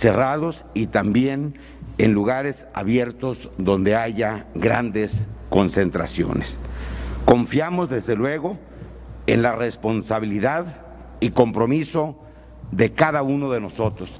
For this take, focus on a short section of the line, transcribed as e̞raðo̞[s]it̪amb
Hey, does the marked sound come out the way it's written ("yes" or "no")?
yes